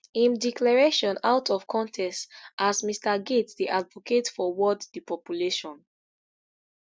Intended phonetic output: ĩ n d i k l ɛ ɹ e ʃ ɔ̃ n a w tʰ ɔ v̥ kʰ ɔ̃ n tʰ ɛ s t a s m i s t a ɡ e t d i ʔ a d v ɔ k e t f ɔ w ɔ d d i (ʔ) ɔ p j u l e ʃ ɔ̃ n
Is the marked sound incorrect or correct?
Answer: incorrect